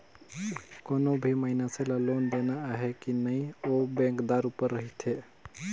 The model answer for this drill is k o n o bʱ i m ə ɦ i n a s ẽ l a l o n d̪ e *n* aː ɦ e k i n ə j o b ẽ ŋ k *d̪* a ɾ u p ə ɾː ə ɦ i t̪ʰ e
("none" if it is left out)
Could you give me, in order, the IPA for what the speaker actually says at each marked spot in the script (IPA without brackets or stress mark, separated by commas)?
n, d̪